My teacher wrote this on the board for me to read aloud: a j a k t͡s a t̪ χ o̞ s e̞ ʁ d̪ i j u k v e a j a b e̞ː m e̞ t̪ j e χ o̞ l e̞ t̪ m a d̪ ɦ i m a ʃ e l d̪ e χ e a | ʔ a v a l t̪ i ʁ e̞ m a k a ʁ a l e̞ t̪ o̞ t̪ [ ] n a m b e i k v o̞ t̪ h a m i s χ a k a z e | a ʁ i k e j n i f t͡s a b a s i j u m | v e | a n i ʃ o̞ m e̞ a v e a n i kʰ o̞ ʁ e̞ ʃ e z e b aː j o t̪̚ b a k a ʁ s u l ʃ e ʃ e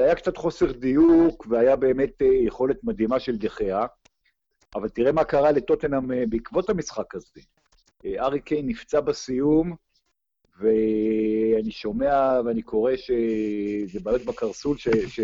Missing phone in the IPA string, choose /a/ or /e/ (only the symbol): e